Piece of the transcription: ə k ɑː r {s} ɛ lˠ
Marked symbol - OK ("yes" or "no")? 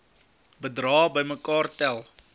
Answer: no